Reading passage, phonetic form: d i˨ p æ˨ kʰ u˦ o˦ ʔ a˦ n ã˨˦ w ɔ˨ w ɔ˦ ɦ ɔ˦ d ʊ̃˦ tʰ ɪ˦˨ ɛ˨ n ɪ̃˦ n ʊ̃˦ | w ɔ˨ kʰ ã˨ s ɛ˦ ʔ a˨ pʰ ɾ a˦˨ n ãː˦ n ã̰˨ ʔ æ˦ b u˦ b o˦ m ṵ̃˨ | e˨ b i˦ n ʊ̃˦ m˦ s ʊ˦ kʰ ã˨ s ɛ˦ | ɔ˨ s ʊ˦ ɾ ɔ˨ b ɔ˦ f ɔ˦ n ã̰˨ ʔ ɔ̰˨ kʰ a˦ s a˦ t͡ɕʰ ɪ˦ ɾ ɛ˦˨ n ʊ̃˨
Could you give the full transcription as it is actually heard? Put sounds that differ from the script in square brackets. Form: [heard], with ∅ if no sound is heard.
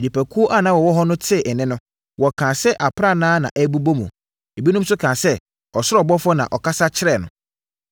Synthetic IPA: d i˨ p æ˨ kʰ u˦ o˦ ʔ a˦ n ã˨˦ w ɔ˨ w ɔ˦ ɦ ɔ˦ [n] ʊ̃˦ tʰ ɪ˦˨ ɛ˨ n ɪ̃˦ n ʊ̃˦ | w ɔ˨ kʰ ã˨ s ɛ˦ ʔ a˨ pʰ ɾ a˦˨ n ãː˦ n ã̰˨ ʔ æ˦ b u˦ b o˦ m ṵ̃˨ | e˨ b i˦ n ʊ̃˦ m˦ s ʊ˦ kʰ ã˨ s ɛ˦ | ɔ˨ s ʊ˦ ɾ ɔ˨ b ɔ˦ f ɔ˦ n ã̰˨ ʔ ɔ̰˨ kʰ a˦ s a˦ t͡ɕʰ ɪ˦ ɾ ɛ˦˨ n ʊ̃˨